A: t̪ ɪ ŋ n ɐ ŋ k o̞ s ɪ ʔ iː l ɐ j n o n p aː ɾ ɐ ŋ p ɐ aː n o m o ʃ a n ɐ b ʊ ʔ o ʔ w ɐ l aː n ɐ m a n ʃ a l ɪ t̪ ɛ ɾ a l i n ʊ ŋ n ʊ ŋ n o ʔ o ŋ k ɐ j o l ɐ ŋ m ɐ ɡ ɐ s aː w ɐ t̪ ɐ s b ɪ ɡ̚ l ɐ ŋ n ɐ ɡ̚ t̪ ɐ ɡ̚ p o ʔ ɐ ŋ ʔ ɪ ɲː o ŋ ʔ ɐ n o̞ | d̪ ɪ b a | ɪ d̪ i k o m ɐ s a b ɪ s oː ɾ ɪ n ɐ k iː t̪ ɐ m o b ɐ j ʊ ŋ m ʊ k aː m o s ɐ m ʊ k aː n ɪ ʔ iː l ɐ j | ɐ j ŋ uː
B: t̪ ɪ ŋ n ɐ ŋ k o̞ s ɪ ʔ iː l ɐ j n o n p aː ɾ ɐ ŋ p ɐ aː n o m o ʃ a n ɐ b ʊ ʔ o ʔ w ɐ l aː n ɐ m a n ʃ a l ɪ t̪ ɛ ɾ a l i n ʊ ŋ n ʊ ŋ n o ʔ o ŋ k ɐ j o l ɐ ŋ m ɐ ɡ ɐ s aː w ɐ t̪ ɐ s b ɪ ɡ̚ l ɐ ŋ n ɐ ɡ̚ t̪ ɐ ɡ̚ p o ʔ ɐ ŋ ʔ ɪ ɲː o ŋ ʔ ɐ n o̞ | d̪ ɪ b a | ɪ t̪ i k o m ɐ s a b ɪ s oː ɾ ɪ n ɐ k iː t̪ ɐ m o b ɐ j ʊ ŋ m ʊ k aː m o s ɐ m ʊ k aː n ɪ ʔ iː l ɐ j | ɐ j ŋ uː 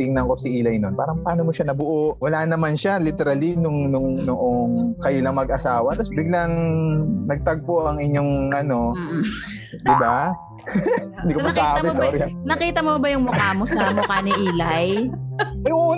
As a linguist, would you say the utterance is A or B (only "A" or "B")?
A